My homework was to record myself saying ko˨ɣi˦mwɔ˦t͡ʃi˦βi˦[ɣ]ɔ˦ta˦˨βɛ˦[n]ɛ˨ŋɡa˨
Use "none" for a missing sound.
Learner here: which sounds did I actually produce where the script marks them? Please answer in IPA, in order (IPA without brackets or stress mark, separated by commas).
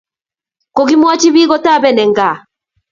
ɣ, n